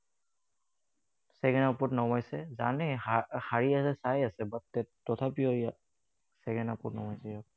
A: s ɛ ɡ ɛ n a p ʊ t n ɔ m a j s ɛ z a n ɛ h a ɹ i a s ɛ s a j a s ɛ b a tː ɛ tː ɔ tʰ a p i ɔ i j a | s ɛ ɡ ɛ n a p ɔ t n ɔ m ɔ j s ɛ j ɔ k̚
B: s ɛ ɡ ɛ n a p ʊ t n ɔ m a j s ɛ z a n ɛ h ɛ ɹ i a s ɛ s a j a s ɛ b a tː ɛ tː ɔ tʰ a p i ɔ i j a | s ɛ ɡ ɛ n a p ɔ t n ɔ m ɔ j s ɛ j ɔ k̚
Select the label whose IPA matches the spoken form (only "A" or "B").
A